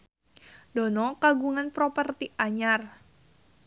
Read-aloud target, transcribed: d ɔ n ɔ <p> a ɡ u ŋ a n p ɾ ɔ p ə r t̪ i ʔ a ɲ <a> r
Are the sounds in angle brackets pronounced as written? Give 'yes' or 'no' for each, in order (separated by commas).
no, yes